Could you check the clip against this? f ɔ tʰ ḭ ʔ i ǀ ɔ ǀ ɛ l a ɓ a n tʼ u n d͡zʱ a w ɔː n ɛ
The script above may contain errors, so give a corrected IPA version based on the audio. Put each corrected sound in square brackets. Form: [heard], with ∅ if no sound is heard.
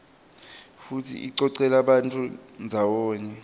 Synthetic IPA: f [u] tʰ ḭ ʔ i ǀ ɔ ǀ ɛ l a ɓ a n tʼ u n d͡zʱ a w ɔː [ɲ] ɛ